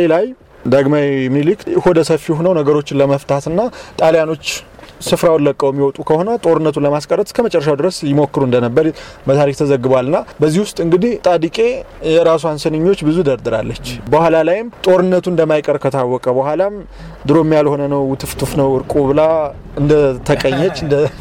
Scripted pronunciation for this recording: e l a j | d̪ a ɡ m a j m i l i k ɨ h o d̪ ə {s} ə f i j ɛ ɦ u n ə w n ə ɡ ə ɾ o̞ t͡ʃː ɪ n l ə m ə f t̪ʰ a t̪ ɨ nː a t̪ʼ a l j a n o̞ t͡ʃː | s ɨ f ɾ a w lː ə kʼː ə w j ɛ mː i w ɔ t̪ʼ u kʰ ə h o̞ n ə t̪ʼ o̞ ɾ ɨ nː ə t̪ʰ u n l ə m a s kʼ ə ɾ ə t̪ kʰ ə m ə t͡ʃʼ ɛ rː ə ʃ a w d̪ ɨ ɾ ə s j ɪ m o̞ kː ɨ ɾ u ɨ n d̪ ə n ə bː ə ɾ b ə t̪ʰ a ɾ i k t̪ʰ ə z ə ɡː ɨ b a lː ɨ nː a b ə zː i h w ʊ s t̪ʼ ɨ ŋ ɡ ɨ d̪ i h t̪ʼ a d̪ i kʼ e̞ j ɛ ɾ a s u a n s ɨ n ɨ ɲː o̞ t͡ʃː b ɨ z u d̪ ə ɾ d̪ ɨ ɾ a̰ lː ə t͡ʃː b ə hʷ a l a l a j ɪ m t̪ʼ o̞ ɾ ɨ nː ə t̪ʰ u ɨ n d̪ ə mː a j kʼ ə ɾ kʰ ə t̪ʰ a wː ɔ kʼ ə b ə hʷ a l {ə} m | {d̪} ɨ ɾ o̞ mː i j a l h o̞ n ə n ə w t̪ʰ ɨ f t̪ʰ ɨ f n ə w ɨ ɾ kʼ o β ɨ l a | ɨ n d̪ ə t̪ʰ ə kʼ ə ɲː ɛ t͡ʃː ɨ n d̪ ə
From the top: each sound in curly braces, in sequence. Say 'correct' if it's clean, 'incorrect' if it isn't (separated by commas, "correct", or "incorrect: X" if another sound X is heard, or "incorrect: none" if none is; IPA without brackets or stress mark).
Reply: correct, incorrect: a, correct